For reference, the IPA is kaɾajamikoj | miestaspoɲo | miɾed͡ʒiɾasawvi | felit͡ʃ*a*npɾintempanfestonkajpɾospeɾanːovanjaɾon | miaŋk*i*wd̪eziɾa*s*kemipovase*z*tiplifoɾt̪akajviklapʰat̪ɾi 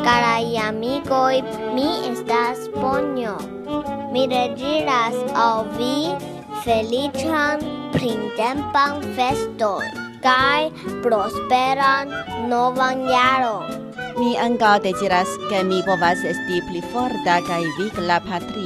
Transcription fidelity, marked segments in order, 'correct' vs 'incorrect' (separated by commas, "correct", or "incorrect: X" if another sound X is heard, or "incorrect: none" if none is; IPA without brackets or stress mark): correct, incorrect: a, correct, incorrect: s